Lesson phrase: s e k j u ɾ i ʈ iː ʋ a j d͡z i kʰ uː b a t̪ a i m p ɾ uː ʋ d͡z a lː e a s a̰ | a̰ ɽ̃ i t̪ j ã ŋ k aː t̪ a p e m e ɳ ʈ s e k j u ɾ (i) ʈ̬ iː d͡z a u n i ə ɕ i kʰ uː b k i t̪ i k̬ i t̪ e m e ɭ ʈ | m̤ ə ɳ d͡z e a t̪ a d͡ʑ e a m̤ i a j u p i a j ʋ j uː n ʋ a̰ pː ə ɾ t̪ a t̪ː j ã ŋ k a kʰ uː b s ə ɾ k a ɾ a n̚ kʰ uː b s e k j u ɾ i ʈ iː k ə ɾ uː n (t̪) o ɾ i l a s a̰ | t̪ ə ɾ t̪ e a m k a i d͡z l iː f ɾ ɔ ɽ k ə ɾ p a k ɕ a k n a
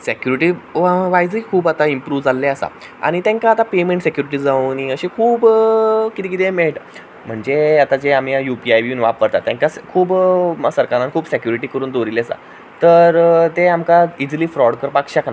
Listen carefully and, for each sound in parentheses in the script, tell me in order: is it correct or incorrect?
correct, incorrect: d̪

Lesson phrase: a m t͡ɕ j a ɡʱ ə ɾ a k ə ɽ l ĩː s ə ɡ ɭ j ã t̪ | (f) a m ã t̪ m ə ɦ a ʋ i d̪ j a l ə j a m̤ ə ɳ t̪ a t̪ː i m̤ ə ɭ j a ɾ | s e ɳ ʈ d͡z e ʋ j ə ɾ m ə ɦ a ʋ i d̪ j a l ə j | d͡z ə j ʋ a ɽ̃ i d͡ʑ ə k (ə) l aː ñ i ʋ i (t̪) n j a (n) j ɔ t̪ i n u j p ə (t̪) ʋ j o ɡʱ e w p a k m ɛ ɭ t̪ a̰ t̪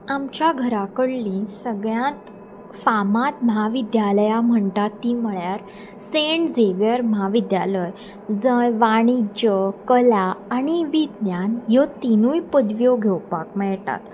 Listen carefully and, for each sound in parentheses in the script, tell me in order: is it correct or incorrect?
correct, correct, incorrect: d̪, correct, incorrect: d̪

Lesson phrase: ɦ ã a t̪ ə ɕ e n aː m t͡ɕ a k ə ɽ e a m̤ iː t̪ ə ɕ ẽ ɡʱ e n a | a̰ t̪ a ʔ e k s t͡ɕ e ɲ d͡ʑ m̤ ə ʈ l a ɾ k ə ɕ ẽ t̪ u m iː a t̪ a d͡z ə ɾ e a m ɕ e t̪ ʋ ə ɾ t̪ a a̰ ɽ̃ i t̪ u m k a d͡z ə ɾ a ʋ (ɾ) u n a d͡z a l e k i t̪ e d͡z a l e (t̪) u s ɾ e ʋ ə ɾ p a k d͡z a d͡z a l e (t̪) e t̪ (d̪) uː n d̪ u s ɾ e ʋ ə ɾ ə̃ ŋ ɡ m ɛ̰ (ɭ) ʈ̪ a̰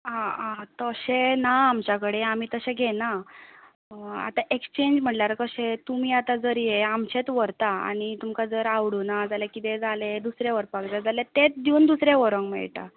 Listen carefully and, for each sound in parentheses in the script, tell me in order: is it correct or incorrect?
incorrect: ɽ, incorrect: d̪, correct, correct, correct

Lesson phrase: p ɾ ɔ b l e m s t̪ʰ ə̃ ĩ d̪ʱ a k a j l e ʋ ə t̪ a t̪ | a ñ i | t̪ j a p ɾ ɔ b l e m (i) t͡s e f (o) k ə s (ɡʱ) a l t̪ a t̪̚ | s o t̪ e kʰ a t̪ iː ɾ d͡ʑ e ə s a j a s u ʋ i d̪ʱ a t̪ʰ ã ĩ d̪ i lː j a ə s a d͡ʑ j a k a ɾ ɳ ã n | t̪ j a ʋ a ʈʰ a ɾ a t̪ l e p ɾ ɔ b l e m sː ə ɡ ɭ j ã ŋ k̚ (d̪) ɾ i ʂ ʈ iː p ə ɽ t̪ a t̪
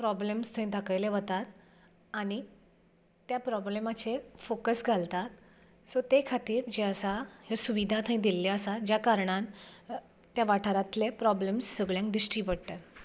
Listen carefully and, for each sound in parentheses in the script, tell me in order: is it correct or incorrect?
incorrect: a, correct, correct, correct

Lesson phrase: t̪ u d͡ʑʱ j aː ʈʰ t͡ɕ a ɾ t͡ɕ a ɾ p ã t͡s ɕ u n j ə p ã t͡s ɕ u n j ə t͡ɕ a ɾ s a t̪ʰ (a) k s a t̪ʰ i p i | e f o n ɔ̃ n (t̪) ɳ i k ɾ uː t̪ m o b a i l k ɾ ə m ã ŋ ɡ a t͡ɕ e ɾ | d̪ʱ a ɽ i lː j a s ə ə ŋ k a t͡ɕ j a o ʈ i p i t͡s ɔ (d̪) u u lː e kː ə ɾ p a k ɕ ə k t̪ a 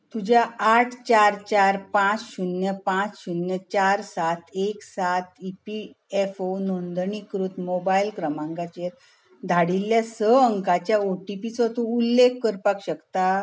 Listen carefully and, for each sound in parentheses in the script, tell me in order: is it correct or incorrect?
incorrect: e, incorrect: d̪, incorrect: t̪

